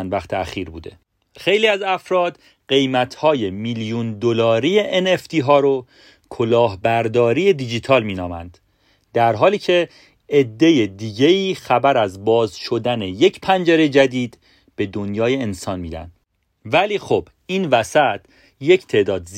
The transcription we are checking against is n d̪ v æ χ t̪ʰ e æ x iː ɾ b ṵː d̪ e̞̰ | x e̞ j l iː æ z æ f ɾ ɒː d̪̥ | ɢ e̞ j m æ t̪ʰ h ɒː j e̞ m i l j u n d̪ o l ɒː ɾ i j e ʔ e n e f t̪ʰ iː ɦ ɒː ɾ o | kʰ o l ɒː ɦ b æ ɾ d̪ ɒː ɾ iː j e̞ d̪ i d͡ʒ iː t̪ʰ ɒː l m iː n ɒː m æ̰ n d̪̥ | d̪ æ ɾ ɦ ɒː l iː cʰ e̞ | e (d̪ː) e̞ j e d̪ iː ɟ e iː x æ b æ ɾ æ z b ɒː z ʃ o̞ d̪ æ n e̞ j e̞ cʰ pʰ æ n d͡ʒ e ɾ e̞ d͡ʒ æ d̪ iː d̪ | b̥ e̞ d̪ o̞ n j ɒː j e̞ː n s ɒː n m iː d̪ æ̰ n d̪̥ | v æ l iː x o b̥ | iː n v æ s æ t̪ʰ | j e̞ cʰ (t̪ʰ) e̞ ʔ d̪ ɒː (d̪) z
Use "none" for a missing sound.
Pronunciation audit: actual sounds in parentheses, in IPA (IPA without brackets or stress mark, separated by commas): d̪ː, t̪ʰ, d̪